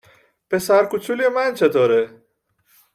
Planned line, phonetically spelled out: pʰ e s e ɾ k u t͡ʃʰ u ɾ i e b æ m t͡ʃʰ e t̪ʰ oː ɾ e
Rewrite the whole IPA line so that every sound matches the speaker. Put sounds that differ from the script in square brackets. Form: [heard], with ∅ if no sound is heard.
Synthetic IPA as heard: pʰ e s [æ] ɾ k u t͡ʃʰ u [l] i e [m] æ [n] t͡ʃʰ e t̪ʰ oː ɾ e